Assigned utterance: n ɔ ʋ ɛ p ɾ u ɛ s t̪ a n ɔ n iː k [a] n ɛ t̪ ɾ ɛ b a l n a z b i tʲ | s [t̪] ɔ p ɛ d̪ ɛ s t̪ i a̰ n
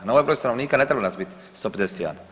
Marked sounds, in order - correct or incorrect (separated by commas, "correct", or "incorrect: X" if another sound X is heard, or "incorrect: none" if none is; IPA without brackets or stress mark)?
correct, correct